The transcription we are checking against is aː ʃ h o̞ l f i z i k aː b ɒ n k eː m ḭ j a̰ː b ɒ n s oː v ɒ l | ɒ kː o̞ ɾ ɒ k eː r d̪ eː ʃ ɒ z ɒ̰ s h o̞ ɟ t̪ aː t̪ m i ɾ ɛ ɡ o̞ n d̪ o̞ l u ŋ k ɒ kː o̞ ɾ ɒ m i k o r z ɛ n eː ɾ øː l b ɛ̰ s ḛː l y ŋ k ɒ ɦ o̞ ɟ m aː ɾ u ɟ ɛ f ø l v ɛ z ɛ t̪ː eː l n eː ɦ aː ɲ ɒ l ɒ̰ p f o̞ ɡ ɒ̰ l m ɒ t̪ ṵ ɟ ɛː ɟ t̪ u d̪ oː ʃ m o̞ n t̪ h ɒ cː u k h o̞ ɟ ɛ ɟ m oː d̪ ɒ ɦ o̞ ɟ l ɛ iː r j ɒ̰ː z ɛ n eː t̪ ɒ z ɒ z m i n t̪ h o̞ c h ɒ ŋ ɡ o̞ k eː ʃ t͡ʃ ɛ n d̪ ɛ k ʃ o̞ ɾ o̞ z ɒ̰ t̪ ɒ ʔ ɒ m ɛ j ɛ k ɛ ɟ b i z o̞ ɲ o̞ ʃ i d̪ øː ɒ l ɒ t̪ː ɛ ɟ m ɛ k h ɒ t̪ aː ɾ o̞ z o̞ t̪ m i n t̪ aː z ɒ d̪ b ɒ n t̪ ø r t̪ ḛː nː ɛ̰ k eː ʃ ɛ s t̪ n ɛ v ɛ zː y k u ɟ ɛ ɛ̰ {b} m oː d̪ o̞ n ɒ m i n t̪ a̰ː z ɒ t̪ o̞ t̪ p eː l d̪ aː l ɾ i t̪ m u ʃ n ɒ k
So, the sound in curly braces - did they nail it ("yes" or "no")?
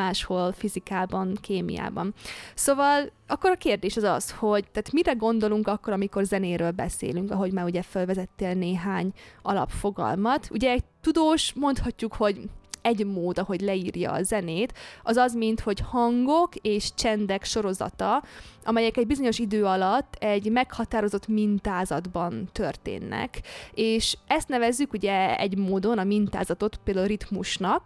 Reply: no